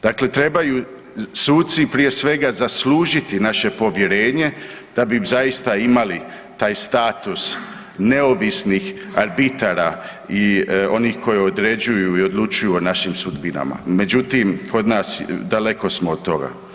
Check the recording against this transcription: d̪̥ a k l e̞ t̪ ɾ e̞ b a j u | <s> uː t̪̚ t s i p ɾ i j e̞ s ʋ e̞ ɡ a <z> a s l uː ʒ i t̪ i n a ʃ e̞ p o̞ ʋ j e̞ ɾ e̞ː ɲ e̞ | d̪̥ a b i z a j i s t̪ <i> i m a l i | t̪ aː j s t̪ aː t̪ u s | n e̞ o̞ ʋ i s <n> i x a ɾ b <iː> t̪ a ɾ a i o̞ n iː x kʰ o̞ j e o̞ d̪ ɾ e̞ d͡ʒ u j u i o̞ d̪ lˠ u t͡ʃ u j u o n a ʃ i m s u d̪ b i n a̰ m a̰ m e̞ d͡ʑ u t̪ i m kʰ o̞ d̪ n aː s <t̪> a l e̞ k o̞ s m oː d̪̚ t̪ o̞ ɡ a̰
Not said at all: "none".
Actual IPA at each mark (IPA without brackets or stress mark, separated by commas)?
s, z, a, n, i, d̪